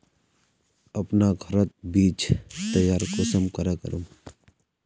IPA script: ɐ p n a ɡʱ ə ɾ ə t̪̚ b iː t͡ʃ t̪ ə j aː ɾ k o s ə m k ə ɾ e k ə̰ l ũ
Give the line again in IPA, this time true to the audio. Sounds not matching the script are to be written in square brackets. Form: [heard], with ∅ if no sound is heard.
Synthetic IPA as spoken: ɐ p n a ɡʱ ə ɾ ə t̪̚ b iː t͡ʃ t̪ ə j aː ɾ k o s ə m k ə ɾ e k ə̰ [ɾ] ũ